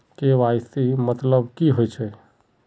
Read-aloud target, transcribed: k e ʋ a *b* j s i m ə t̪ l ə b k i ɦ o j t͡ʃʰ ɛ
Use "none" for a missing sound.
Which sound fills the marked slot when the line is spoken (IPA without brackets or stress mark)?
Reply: none